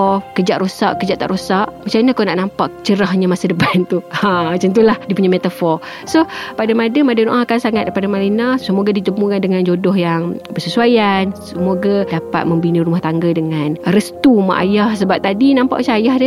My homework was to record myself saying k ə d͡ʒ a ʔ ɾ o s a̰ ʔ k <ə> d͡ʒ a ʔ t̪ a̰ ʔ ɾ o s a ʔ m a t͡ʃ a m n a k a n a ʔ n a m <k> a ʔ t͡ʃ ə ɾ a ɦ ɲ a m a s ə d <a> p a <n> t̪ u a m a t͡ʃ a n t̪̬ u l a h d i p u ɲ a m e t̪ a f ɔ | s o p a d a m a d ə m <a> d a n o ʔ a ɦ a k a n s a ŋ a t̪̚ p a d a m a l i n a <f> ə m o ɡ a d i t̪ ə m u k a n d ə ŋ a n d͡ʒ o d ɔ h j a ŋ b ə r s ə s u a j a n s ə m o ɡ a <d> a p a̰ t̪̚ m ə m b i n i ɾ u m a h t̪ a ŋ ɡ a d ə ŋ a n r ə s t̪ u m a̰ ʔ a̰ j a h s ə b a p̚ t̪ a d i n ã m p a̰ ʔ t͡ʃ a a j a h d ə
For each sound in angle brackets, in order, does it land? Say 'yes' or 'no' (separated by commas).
yes, no, no, yes, yes, no, yes